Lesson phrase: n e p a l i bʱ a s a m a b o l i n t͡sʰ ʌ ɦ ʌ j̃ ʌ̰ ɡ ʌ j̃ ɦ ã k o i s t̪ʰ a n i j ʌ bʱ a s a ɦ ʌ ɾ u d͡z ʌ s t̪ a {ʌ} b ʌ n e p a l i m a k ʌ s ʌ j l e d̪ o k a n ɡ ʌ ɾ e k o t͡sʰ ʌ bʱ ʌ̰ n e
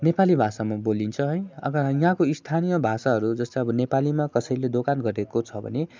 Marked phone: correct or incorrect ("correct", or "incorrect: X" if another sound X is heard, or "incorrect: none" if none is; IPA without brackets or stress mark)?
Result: correct